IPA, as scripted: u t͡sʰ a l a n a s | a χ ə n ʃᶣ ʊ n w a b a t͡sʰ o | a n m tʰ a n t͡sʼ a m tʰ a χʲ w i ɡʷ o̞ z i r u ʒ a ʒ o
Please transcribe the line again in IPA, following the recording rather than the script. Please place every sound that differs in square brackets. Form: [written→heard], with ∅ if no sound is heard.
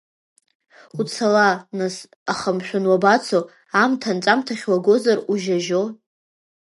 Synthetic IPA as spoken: u t͡sʰ a l a n a s | a χ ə [n→m] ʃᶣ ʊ n w a b a t͡sʰ o | a [n→∅] m tʰ a n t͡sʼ a m tʰ a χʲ w [i→a] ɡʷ o̞ z [i→a] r u ʒ a ʒ o